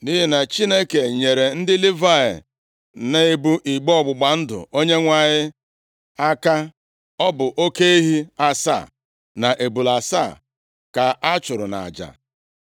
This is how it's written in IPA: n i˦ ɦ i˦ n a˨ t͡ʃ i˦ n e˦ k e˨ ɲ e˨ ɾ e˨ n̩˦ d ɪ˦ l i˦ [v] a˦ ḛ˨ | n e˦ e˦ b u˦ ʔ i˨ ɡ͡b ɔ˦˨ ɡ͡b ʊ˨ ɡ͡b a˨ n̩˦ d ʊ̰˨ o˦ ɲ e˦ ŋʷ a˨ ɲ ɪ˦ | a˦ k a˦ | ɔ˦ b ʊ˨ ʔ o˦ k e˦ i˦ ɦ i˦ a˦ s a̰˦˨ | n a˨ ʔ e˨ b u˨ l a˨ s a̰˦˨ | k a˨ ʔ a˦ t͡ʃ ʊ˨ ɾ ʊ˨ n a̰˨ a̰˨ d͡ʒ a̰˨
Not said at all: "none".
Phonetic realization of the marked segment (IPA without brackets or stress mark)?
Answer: v